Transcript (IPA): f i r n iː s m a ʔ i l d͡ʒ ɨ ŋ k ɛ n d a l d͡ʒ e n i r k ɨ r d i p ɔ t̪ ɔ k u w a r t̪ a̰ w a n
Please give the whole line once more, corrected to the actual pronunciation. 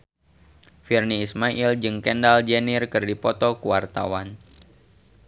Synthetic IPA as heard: f i r n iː s m a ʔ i l d͡ʒ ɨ ŋ k ɛ n d a l d͡ʒ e n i r k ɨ r d i p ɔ t̪ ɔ k u w a r t̪ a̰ w a n